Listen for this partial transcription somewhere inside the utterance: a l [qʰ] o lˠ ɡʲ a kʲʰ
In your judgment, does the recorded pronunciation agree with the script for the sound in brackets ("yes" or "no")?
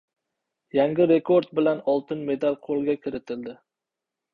yes